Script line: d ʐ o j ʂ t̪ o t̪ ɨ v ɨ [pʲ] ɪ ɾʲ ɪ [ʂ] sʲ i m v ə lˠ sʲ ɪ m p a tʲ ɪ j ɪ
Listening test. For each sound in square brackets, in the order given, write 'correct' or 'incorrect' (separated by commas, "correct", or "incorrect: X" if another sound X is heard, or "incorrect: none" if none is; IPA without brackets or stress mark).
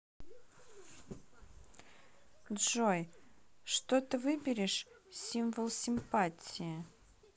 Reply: incorrect: bʲ, correct